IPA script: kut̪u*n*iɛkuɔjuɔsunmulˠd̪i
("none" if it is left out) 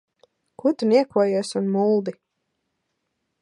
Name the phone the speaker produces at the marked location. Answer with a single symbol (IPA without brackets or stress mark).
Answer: n